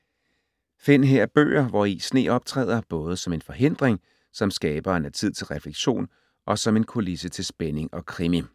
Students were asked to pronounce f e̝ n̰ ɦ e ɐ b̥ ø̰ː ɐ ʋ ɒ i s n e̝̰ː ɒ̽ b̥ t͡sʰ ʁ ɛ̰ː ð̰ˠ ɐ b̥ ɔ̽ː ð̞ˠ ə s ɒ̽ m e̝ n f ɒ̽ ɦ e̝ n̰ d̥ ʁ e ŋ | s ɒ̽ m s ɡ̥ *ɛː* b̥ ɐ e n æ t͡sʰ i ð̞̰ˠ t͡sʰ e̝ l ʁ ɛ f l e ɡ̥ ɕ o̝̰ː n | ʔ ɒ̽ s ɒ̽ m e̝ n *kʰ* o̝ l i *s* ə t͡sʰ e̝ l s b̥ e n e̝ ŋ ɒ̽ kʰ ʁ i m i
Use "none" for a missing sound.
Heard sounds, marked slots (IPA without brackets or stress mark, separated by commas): ɛː, kʰ, s